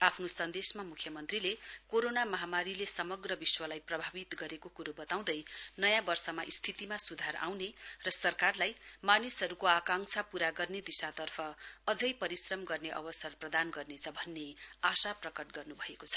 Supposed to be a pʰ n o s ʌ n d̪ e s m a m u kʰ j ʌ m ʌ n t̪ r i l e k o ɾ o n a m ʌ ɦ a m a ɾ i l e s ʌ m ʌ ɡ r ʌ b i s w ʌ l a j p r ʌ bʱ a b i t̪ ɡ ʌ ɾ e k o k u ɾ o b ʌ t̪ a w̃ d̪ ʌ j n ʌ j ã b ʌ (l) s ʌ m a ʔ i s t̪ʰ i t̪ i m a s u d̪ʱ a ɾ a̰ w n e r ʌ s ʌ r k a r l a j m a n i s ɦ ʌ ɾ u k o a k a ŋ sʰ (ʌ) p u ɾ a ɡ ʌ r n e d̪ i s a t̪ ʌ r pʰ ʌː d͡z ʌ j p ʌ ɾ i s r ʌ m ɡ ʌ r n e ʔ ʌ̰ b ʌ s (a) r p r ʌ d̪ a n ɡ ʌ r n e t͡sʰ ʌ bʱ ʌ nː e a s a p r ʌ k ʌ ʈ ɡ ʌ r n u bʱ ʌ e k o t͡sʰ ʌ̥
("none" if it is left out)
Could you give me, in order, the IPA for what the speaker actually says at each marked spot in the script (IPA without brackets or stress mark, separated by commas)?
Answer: r, a, ʌ